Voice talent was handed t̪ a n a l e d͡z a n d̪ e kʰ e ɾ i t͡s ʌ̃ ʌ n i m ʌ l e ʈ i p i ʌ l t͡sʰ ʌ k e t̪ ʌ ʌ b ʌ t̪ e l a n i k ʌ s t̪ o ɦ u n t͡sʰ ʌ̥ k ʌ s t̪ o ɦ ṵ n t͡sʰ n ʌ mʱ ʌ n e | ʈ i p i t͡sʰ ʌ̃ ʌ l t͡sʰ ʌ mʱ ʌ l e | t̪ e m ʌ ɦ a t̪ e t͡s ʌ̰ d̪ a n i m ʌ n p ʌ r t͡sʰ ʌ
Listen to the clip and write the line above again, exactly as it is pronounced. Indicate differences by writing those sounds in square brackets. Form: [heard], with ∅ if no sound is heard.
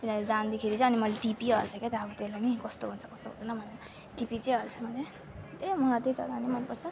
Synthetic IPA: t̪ [i] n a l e d͡z a n d̪ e kʰ e ɾ i t͡s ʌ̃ ʌ n i m ʌ l e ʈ i p i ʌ l t͡sʰ ʌ k e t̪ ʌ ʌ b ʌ t̪ e l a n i k ʌ s t̪ o ɦ u n t͡sʰ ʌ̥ k ʌ s t̪ o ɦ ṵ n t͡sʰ n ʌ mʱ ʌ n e | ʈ i p i [t͡s] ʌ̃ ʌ l t͡sʰ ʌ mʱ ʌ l e | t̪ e m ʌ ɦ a t̪ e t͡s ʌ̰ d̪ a n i m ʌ n p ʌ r t͡sʰ ʌ